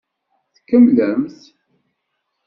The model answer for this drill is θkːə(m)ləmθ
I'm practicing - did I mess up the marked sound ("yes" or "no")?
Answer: no